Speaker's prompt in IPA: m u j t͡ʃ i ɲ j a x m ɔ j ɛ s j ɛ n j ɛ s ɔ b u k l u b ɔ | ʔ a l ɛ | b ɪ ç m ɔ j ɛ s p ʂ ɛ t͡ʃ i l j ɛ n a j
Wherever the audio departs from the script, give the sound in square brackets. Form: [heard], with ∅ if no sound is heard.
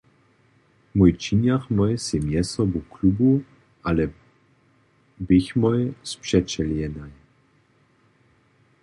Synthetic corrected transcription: m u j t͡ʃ i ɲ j a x m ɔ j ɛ s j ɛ [m] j ɛ s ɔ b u k l u b [u] | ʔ a l ɛ | b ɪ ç m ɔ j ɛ s p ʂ ɛ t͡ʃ [ɛ] l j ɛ n a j